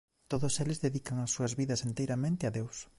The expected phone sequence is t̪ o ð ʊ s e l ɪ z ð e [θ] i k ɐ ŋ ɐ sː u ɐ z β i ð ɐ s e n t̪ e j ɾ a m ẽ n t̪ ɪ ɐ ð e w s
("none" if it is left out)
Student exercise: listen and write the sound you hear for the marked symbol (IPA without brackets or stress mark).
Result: ð